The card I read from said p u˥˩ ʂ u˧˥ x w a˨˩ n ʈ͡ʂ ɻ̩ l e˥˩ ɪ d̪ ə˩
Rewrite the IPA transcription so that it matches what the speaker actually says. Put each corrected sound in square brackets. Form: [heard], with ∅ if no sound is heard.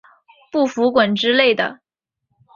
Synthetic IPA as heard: p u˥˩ [f] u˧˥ [k] w [ə˨˩] n ʈ͡ʂ ɻ̩ l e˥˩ ɪ d̪ ə˩